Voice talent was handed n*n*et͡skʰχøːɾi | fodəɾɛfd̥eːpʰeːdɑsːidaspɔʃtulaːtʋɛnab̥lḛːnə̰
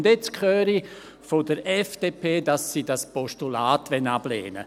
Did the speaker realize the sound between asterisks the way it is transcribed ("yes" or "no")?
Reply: no